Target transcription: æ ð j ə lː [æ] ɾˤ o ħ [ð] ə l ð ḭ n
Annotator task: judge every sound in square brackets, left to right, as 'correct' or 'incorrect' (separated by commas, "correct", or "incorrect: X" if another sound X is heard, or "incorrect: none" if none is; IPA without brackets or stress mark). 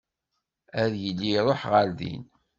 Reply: incorrect: i, incorrect: ʁ